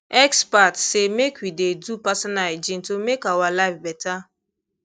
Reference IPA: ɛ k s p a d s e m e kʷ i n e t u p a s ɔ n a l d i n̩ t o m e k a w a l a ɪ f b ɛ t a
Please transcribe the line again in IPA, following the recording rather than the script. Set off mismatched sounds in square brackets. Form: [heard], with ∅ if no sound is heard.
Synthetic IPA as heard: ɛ k s p a [t] s e m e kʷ i [d] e [d] u p a s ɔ n a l [d͡ʒ] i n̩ t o m e k a w a l a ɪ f b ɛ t a